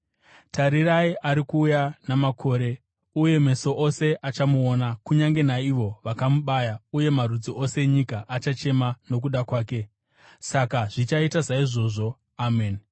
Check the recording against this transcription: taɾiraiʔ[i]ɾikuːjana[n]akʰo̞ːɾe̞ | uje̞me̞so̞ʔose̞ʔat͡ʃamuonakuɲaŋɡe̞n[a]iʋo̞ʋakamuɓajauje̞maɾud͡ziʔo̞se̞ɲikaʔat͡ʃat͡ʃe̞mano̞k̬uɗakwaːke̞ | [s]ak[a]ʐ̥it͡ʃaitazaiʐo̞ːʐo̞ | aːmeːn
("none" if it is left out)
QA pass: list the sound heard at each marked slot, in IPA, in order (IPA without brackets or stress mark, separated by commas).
a, m, a, s, a